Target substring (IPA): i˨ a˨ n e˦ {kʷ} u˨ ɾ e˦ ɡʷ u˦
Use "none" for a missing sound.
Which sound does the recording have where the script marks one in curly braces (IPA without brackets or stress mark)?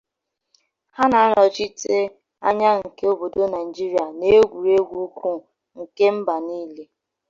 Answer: ɡʷ